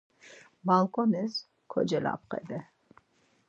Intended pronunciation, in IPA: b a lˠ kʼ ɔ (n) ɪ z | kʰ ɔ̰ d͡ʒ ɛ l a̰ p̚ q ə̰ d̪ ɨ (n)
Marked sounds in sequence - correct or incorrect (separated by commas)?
correct, incorrect